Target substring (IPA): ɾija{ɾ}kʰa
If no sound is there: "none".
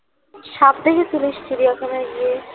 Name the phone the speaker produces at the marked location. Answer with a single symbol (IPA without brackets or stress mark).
none